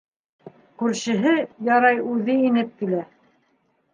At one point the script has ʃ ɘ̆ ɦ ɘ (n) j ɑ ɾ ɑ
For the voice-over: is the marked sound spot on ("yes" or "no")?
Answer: no